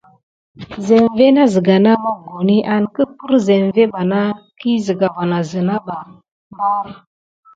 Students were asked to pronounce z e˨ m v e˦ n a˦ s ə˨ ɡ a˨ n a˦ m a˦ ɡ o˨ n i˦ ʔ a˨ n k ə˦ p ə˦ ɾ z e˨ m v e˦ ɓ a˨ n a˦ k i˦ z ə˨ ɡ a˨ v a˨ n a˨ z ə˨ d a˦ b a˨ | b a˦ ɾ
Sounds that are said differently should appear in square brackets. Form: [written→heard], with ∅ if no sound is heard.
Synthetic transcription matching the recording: z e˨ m v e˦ n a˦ [s→z] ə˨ ɡ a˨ n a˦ m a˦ ɡ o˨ n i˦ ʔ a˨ n k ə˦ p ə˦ ɾ z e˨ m v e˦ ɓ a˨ n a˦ k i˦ z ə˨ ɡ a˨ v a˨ n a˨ z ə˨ [d→n] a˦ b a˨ | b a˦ ɾ